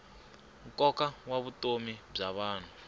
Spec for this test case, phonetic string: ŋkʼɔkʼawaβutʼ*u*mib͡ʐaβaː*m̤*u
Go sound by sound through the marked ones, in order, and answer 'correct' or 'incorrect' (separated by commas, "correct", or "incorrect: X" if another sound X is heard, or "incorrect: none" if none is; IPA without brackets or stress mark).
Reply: incorrect: o, incorrect: n̤